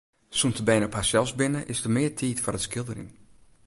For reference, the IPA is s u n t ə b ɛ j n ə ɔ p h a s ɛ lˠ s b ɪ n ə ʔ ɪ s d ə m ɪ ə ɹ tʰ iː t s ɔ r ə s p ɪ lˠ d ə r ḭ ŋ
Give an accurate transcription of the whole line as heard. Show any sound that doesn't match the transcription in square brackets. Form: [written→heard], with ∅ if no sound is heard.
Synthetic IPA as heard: s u n t ə b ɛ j n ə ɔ p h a s ɛ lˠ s b ɪ n ə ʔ ɪ s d ə m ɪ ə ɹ tʰ iː t [s→f] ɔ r ə s [p→k] ɪ lˠ d ə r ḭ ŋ